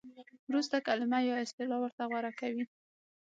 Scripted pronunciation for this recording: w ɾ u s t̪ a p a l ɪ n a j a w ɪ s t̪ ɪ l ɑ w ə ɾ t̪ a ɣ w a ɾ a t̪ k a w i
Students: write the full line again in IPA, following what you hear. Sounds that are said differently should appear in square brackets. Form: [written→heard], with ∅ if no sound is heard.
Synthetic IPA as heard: w ɾ u s t̪ a [p→k] a l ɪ [n→m] a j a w ɪ s t̪ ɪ l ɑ w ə ɾ t̪ a ɣ w a ɾ a [t̪→∅] k a w i